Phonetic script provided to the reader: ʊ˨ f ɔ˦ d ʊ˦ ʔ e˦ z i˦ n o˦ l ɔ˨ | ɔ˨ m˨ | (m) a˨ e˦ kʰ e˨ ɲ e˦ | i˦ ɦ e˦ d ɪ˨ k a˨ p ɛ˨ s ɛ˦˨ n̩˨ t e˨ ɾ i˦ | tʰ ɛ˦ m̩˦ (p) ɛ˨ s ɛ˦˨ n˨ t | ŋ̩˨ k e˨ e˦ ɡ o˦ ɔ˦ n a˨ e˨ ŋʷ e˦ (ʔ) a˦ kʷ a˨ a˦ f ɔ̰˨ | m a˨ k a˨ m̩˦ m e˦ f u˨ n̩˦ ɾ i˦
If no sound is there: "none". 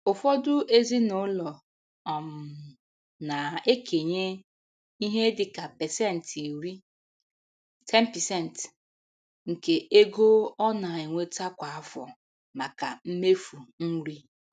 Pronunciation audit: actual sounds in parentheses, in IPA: n, p, t

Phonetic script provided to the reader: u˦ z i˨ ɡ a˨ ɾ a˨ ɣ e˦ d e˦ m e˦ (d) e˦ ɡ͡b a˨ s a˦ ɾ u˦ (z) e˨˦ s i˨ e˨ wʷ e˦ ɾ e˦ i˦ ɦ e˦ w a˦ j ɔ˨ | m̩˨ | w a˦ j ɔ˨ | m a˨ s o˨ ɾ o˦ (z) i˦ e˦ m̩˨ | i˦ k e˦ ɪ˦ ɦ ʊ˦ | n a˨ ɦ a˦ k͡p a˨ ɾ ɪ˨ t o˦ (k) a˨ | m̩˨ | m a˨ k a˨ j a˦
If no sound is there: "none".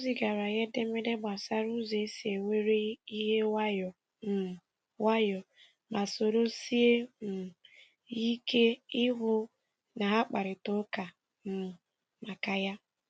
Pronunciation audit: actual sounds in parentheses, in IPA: d, z, s, k

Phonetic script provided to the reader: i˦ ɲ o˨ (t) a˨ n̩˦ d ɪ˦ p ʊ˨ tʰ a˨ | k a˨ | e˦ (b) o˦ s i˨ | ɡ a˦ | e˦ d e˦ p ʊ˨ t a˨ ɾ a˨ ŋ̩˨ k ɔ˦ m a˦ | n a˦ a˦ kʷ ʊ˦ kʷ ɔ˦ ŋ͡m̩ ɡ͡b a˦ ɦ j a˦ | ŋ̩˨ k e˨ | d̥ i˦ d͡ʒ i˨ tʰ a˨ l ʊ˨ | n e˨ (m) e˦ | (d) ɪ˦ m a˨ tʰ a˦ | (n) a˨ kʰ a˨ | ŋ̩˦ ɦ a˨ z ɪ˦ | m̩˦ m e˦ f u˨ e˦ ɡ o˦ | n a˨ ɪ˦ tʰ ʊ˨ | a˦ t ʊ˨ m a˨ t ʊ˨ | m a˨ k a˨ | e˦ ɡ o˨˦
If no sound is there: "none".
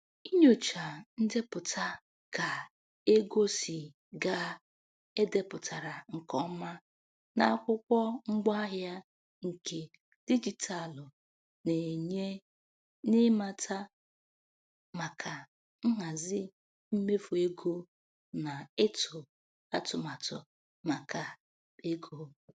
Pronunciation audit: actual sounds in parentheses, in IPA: t͡ʃ, ɡ, ɲ, n, m

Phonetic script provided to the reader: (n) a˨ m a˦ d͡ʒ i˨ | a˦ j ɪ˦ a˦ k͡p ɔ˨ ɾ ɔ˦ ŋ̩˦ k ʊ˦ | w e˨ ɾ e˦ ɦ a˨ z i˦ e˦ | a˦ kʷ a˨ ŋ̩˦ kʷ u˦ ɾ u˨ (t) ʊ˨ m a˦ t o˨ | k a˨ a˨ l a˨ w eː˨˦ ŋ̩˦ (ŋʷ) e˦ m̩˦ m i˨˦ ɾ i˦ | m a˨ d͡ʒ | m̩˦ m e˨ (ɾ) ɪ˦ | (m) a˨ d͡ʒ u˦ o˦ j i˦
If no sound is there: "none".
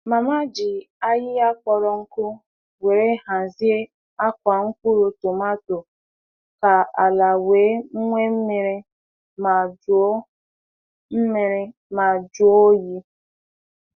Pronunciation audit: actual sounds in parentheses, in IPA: m, t, ŋʷ, ɾ, m

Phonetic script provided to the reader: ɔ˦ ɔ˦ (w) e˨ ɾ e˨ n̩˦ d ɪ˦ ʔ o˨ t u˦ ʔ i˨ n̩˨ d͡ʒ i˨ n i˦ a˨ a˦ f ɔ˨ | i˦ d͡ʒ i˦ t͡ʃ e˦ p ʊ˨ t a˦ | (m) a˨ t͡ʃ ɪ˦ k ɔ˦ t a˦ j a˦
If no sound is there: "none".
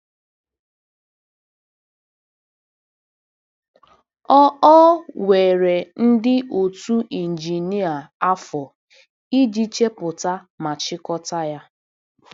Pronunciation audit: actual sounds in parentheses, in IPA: w, m

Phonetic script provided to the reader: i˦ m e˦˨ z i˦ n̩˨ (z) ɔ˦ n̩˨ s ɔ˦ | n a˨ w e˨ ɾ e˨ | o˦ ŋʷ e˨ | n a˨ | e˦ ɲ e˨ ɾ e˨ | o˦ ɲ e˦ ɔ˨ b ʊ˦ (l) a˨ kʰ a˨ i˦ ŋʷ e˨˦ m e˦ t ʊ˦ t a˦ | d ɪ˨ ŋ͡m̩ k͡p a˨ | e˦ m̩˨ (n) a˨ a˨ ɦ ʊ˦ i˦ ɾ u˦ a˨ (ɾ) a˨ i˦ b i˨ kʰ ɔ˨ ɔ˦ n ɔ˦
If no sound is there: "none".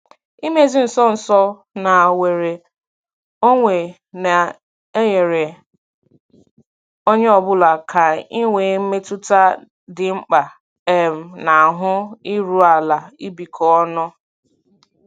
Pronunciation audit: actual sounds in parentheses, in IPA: s, l, n, l

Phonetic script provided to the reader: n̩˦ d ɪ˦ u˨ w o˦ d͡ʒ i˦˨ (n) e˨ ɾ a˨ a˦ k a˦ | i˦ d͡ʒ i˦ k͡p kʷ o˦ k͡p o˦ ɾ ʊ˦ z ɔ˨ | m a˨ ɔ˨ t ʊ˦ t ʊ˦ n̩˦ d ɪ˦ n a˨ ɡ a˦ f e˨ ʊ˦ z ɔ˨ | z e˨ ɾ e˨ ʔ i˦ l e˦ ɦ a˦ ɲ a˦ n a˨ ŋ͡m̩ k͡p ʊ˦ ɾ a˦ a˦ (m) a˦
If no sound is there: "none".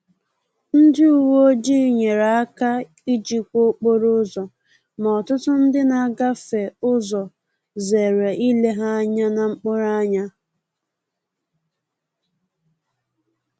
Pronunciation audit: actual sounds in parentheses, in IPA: ɲ, ɲ

